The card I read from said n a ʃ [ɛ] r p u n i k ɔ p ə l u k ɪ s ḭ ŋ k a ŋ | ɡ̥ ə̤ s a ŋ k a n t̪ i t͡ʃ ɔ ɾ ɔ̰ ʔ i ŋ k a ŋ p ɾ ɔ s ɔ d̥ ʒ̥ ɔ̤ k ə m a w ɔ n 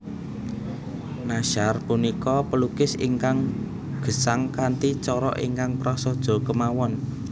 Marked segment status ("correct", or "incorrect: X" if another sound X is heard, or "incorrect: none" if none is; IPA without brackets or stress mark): incorrect: a